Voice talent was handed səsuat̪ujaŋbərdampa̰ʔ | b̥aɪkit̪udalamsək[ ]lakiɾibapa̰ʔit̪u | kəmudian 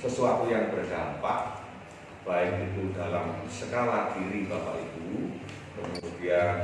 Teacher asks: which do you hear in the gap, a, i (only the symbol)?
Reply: a